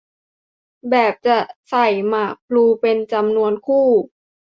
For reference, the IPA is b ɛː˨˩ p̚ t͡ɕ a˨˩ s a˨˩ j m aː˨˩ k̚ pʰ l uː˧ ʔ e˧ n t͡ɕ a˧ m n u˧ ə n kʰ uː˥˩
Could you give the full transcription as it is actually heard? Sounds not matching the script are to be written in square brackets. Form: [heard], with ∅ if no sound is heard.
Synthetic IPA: b ɛː˨˩ p̚ t͡ɕ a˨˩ s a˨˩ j m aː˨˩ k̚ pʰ l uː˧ [p] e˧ n t͡ɕ a˧ m n u˧ ə n kʰ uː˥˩

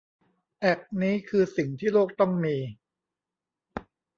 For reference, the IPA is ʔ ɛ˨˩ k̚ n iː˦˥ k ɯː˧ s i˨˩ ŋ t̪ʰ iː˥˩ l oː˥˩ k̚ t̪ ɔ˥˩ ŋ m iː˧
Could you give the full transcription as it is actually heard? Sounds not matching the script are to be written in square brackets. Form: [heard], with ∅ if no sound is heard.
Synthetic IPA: ʔ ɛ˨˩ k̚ n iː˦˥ [kʰ] ɯː˧ s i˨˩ ŋ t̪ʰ iː˥˩ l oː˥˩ k̚ t̪ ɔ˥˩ ŋ m iː˧

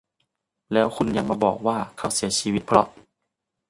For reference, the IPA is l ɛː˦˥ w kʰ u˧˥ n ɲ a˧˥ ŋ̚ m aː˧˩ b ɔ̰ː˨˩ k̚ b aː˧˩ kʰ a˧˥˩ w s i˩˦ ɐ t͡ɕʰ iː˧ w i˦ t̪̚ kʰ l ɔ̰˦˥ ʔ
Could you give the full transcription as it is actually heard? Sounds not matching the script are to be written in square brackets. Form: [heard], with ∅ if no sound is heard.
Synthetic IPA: l ɛː˦˥ w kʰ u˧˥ n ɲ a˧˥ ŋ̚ m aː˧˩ b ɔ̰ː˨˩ k̚ [w] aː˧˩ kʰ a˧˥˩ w s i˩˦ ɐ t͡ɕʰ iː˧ w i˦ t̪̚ [pʰ] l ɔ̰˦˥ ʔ

